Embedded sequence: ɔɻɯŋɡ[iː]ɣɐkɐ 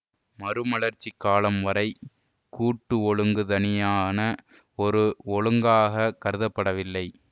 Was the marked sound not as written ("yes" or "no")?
yes